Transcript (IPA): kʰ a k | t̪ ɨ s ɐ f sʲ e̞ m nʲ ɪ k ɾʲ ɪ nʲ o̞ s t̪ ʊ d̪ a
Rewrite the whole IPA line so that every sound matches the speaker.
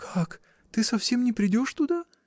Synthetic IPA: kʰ a k | t̪ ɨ s ɐ f sʲ e̞ m nʲ ɪ p ɾʲ ɪ dʲ o̞ ʂ t̪ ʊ d̪ a